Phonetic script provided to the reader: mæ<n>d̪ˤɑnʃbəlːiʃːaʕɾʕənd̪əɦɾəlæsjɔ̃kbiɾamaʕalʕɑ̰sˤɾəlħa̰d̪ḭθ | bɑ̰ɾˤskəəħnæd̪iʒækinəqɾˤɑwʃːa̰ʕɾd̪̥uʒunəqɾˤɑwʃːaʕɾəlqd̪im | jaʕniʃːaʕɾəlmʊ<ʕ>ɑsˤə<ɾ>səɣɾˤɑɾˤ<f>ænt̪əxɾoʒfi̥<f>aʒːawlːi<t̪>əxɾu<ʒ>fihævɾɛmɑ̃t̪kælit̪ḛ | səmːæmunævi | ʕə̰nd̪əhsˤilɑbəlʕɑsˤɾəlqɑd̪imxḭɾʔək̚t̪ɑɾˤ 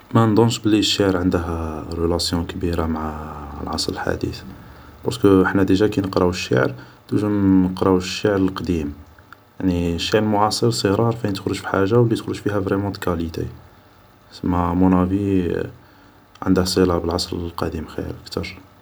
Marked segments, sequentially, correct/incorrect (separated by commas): correct, correct, correct, correct, incorrect, correct, correct